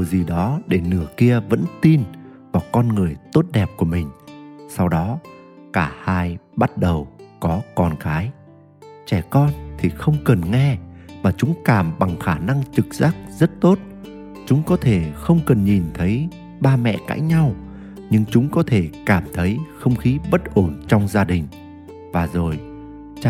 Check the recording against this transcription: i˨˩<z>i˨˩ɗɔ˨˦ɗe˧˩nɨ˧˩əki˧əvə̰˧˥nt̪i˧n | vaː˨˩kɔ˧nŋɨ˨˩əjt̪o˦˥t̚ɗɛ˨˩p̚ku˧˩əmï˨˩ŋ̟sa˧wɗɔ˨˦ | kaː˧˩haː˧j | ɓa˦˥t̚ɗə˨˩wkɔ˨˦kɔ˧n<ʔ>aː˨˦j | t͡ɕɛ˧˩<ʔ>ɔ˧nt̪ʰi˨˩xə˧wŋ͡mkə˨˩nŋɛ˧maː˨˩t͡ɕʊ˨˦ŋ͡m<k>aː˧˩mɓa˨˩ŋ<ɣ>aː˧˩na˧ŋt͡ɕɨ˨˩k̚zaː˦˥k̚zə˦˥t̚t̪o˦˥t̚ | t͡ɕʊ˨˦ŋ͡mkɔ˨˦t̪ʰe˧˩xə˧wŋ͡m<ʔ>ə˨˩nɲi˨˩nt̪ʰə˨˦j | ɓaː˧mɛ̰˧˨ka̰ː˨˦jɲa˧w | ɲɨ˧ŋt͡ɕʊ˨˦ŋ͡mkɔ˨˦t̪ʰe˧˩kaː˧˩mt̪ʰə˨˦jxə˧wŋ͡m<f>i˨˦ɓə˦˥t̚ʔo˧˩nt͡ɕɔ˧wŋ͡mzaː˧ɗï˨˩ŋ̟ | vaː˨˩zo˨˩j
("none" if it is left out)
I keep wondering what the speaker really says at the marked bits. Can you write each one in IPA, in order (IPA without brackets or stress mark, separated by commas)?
z, k, k, k, x, k, x